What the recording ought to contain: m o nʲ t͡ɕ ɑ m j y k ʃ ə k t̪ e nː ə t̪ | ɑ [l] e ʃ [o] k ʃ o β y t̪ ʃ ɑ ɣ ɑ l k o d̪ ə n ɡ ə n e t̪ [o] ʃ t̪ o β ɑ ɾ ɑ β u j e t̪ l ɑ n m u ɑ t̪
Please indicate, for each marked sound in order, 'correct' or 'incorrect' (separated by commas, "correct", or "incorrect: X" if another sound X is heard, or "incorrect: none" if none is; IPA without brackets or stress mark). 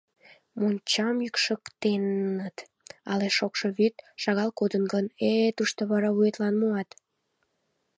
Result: correct, correct, incorrect: u